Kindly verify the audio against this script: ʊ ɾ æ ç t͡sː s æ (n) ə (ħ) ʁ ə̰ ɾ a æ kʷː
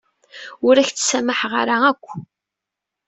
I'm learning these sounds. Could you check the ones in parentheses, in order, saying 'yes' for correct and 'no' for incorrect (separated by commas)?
no, yes